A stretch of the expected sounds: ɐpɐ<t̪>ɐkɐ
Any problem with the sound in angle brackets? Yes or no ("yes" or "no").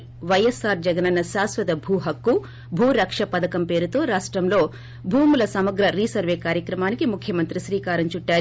yes